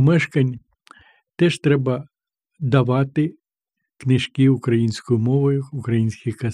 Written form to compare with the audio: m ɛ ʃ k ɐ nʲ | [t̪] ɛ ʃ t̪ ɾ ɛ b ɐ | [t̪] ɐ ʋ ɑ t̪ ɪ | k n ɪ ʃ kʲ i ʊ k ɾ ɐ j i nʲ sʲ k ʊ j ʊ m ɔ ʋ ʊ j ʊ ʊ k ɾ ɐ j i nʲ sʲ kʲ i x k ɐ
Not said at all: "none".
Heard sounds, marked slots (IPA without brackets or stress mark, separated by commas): t̪, d̪